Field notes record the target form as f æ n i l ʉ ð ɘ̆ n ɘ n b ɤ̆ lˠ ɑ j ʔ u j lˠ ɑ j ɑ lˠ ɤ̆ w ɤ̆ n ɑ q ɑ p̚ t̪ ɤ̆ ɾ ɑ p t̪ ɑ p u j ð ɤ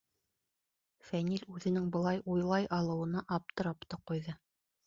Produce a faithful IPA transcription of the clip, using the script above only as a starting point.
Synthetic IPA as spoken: f æ n i l ʉ ð ɘ̆ n ɘ ŋ b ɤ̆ lˠ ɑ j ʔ u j lˠ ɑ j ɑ lˠ ɤ̆ w ɤ̆ n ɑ ʔ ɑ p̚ t̪ ɤ̆ ɾ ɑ p t̪ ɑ q u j ð ɤ